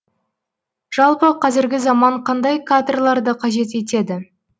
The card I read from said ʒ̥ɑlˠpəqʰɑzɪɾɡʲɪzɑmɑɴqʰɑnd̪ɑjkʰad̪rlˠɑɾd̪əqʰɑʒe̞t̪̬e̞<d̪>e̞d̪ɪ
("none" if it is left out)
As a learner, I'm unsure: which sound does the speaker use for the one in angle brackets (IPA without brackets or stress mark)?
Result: t̪